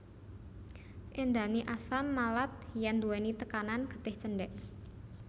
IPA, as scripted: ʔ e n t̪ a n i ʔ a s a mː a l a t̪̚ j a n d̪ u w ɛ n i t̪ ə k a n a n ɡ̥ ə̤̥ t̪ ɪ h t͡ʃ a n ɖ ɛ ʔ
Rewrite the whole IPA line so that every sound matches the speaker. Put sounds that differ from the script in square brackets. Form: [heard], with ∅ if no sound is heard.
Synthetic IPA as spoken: ʔ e n [d̪] a n i ʔ a s a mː a l a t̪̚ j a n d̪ u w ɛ n i t̪ ə k a n a n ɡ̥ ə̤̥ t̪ ɪ h t͡ʃ [ə] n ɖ ɛ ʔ